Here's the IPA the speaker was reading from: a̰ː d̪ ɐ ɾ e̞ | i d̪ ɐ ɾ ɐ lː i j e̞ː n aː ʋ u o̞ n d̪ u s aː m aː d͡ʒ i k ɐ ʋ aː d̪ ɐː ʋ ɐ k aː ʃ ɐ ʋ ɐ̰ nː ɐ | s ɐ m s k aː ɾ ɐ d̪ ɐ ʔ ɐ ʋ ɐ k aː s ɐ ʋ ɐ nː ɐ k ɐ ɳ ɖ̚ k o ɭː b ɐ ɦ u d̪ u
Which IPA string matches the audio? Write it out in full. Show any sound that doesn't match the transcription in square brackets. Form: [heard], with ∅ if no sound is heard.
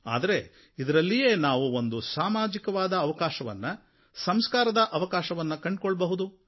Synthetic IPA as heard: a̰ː d̪ ɐ ɾ e̞ | i d̪ ɐ ɾ ɐ lː i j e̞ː n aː ʋ u o̞ n d̪ u s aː m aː d͡ʒ i k ɐ ʋ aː d̪ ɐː ʋ ɐ k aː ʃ ɐ ʋ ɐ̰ nː ɐ | s ɐ m s k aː ɾ ɐ d̪ ɐ ʔ ɐ ʋ ɐ k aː [ʃ] ɐ ʋ ɐ nː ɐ k ɐ ɳ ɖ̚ k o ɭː b ɐ ɦ u d̪ u